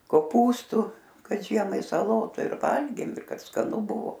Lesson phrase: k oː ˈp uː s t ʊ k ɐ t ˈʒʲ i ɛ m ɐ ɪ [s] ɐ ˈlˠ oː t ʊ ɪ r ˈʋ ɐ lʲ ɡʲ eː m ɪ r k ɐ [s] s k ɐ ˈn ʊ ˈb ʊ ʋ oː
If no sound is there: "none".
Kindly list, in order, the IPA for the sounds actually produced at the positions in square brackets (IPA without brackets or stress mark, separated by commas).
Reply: s, t